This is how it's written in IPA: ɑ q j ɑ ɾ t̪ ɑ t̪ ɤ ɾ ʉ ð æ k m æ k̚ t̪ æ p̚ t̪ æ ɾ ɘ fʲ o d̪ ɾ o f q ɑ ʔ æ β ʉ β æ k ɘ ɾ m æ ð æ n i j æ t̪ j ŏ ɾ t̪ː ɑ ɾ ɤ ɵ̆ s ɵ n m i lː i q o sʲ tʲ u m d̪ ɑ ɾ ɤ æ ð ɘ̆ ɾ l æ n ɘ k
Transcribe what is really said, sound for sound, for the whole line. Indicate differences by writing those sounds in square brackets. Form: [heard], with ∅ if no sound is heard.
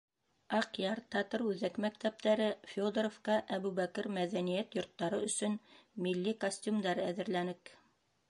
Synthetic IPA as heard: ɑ q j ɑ ɾ t̪ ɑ t̪ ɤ ɾ ʉ ð æ k m æ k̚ t̪ æ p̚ t̪ æ ɾ ɘ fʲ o d̪ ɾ o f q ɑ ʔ æ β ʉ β æ k ɘ ɾ m æ ð æ n i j æ t̪ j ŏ ɾ t̪ː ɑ ɾ ɤ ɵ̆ s ɵ n m i lː i [k] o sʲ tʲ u m d̪ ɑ ɾ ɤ æ ð ɘ̆ ɾ l æ n ɘ k

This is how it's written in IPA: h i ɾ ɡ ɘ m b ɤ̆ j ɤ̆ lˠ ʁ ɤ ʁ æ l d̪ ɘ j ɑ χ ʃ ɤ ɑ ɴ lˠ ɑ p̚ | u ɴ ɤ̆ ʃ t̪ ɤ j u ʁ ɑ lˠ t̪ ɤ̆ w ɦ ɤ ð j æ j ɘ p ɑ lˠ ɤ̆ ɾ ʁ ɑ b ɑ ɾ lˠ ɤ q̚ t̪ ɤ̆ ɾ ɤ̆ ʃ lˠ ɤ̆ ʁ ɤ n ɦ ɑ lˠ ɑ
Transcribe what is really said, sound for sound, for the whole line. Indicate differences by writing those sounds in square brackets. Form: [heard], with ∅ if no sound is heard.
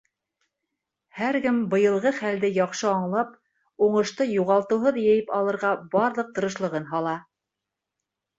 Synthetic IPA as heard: h [æ] ɾ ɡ ɘ m b ɤ̆ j ɤ̆ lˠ ʁ ɤ [χ] æ l d̪ ɘ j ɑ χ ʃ ɤ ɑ ɴ lˠ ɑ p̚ | u ɴ ɤ̆ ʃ t̪ ɤ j u ʁ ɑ lˠ t̪ ɤ̆ w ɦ ɤ ð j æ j ɘ p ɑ lˠ ɤ̆ ɾ ʁ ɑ b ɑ ɾ lˠ ɤ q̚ t̪ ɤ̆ ɾ ɤ̆ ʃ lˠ ɤ̆ ʁ ɤ n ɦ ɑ lˠ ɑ

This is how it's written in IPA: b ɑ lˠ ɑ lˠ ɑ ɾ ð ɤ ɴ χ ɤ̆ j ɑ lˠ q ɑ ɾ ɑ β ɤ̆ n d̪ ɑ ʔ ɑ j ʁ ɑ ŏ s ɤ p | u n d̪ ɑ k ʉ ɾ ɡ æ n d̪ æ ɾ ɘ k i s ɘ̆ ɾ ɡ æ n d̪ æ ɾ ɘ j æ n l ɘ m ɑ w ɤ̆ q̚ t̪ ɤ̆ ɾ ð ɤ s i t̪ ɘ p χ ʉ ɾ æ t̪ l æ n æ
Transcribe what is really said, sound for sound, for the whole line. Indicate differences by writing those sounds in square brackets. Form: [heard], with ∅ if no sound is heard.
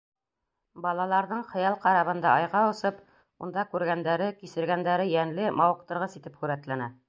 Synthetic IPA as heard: b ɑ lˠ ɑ lˠ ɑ ɾ ð ɤ ɴ χ ɤ̆ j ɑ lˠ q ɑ ɾ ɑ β ɤ̆ n d̪ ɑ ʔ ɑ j ʁ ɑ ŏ s ɤ p | u n d̪ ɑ k ʉ ɾ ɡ æ n d̪ æ ɾ ɘ k i s ɘ̆ ɾ ɡ æ n d̪ æ ɾ ɘ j æ n l ɘ m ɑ w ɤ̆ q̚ t̪ ɤ̆ ɾ [ʁ] ɤ s i t̪ ɘ p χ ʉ ɾ æ t̪ l æ n æ

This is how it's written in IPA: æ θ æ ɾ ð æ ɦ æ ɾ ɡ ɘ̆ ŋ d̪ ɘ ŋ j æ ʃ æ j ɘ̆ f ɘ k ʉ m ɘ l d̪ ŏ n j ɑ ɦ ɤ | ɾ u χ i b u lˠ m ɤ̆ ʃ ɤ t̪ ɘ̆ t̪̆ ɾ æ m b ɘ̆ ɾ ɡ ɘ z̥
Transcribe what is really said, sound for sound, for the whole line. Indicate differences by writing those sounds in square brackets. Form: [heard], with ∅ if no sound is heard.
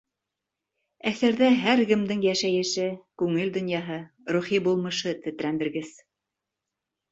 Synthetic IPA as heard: æ θ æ ɾ ð æ ɦ æ ɾ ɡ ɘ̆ [m] d̪ ɘ ŋ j æ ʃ æ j ɘ̆ [ʃ] ɘ k ʉ [ŋ] ɘ l d̪ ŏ n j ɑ ɦ ɤ | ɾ u χ i b u lˠ m ɤ̆ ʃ ɤ t̪ ɘ̆ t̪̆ ɾ æ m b ɘ̆ ɾ ɡ ɘ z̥

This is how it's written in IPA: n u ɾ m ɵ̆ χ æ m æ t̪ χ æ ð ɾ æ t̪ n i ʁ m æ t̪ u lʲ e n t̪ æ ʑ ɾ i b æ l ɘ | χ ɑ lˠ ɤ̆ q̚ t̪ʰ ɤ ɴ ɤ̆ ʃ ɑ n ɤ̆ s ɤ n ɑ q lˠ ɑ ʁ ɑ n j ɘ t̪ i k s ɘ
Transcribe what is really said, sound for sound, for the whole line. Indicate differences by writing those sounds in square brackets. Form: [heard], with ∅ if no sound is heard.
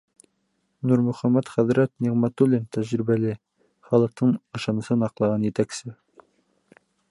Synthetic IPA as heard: n u ɾ m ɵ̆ χ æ m æ t̪ χ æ ð ɾ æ t̪ n i ʁ m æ t̪ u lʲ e n t̪ æ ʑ ɾ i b æ l ɘ | χ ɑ lˠ ɤ̆ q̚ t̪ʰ ɤ ɴ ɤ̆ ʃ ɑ n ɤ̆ s ɤ n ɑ q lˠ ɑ ʁ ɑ n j ɘ t̪ [æ] k s ɘ

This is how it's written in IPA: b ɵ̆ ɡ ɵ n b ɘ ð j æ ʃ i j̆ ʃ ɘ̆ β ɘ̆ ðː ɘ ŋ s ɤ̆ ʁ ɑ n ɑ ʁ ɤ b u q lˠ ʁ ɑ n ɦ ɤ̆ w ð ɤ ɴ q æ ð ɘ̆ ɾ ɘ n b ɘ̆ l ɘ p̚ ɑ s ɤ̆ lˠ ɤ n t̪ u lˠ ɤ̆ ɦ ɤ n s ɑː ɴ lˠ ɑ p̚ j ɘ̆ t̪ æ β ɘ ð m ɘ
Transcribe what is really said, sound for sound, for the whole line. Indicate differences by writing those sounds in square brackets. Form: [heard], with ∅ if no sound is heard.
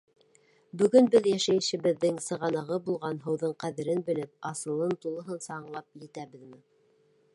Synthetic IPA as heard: b ɵ̆ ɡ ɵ n b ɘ ð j æ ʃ [æ] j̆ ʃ ɘ̆ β ɘ̆ ðː ɘ ŋ s ɤ̆ ʁ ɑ n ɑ ʁ ɤ b u [∅] lˠ ʁ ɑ n ɦ ɤ̆ w ð ɤ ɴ q æ ð ɘ̆ ɾ ɘ n b ɘ̆ l ɘ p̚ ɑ s ɤ̆ lˠ ɤ n t̪ u lˠ ɤ̆ ɦ ɤ n s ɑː ɴ lˠ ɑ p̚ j ɘ̆ t̪ æ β ɘ ð m ɘ

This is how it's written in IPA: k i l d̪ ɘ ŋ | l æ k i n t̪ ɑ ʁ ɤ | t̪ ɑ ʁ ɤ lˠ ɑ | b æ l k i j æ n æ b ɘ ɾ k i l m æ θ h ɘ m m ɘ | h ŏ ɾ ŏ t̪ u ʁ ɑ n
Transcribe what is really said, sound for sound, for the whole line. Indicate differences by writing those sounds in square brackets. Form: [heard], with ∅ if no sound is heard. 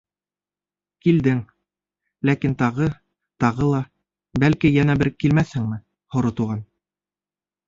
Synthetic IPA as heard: k i l d̪ ɘ ŋ | l æ k i n t̪ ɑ ʁ ɤ | t̪ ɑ ʁ ɤ lˠ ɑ | b æ l k i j æ n æ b ɘ ɾ k i l m æ θ h ɘ [ŋ] m ɘ | h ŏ ɾ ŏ t̪ u ʁ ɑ n

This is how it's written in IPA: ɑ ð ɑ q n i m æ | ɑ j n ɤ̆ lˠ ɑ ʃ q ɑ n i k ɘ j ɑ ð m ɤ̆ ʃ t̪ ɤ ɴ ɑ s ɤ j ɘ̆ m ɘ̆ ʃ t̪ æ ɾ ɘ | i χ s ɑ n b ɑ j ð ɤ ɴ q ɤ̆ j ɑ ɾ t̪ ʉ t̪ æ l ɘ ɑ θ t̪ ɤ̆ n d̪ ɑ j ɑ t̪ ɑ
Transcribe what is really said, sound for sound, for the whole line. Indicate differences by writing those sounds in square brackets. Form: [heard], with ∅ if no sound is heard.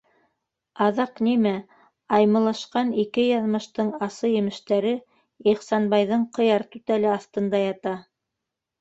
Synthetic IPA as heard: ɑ ð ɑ q n i m æ | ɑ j [m] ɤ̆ lˠ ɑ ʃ q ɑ n i k ɘ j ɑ ð m ɤ̆ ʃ t̪ ɤ ɴ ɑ s ɤ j ɘ̆ m ɘ̆ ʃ t̪ æ ɾ ɘ | i χ s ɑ n b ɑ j ð ɤ ɴ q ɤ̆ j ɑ ɾ t̪ ʉ t̪ æ l ɘ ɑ θ t̪ ɤ̆ n d̪ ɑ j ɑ t̪ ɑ

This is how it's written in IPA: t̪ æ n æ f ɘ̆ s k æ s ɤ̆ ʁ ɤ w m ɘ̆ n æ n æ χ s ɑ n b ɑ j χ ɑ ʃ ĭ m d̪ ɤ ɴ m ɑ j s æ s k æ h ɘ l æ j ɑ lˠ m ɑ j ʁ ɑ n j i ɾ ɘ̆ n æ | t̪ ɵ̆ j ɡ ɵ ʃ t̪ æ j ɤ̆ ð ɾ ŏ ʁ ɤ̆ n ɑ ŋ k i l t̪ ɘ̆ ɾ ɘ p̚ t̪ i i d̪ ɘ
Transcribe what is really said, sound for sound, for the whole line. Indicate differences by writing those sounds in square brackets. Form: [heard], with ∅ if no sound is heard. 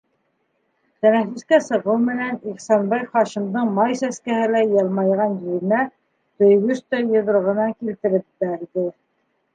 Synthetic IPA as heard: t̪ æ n æ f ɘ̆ s k æ s ɤ̆ ʁ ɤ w m ɘ̆ n æ n [i] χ s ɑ n b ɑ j χ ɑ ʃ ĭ m d̪ ɤ ɴ m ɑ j s æ s k æ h ɘ l æ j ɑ lˠ m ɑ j ʁ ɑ n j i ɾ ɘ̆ n æ | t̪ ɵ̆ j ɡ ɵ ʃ t̪ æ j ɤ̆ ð ɾ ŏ ʁ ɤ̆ n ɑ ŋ k i l t̪ ɘ̆ ɾ ɘ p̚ t̪ [æ] i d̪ ɘ

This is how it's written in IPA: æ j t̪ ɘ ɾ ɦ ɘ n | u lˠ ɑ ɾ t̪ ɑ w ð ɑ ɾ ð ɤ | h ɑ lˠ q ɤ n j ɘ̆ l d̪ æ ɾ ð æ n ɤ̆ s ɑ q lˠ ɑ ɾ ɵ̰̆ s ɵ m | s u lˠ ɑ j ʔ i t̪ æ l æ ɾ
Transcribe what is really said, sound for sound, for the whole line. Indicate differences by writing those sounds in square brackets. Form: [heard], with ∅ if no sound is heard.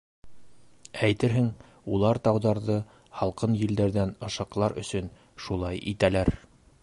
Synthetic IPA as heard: æ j t̪ ɘ ɾ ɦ ɘ [ŋ] | u lˠ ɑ ɾ t̪ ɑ w ð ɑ ɾ ð ɤ | h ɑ lˠ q ɤ n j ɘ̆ l d̪ æ ɾ ð æ n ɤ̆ [ʃ] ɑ q lˠ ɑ ɾ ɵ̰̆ s ɵ [n] | [ʃ] u lˠ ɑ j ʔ i t̪ æ l æ ɾ

